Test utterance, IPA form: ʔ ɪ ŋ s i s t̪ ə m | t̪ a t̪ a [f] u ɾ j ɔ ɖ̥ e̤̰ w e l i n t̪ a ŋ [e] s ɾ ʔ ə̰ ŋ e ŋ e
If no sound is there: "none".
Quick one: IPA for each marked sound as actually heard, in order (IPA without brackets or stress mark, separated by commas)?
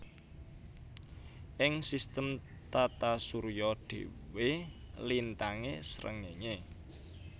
s, e